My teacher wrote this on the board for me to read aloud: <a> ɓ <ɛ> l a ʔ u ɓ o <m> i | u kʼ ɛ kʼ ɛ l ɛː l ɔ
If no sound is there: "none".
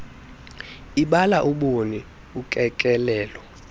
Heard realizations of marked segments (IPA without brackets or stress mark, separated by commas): i, a, n